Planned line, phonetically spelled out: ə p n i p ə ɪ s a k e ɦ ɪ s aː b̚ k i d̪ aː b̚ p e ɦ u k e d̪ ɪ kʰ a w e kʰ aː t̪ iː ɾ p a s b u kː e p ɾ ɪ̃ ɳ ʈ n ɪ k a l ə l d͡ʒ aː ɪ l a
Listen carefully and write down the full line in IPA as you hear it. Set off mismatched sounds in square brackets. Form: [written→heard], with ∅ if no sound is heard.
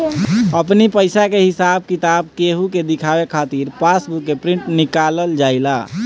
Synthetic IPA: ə p n i p ə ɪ s a k e ɦ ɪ s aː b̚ k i [d̪→t̪] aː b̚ [p→k] e ɦ u k e d̪ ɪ kʰ a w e kʰ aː t̪ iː ɾ p a s b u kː e p ɾ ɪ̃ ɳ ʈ n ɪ k a l ə l d͡ʒ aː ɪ l a